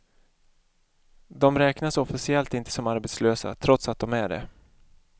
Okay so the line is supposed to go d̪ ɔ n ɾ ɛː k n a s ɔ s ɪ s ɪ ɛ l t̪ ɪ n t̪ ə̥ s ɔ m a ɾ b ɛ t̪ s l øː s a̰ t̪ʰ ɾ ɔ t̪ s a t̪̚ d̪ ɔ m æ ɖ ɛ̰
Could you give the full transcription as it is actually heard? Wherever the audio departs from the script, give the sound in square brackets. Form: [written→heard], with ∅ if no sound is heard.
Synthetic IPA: d̪ ɔ [n→m] ɾ ɛː k n a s ɔ [s→f] ɪ s ɪ ɛ l t̪ ɪ n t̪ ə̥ s ɔ m a ɾ b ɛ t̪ s l øː s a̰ t̪ʰ ɾ ɔ t̪ s a t̪̚ d̪ ɔ m æ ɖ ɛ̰